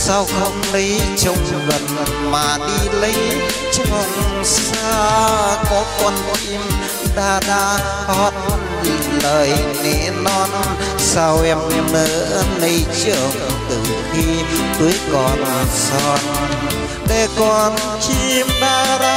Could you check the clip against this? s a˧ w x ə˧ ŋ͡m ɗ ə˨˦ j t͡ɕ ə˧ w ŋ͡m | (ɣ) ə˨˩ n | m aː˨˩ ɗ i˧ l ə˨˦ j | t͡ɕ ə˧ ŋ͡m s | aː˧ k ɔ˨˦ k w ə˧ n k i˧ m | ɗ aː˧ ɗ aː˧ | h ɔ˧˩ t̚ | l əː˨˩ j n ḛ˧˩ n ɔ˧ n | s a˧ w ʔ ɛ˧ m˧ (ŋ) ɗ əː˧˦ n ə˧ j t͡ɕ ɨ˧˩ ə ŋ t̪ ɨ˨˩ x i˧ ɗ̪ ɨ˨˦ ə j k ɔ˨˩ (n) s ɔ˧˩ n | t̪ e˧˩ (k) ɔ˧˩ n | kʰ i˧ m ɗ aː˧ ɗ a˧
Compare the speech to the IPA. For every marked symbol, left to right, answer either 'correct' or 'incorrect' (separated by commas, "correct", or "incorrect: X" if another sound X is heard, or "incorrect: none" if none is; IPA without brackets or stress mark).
correct, incorrect: m, correct, correct